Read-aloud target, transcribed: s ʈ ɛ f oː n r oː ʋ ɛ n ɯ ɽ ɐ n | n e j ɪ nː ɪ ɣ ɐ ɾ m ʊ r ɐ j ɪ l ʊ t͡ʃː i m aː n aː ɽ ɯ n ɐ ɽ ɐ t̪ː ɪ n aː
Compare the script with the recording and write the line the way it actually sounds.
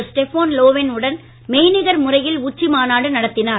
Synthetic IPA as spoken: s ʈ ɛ f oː n l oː ʋ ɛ n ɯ ɽ ɐ n | m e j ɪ n ɪ ɣ ɐ ɾ m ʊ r ɐ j ɪ l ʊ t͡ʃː i m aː n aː ɽ ɯ n ɐ ɽ ɐ t̪ː ɪ n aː